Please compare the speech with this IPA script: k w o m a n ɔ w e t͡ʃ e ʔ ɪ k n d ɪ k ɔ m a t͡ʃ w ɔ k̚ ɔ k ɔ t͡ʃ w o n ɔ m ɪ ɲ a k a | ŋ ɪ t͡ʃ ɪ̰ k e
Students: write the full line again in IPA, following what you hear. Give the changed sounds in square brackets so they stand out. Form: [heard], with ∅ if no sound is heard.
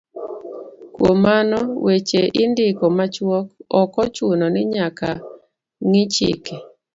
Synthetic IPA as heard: k w o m a n ɔ w e t͡ʃ e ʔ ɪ [∅] n d ɪ k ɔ m a t͡ʃ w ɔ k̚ ɔ k ɔ t͡ʃ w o n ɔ [n] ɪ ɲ a k a | ŋ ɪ t͡ʃ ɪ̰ k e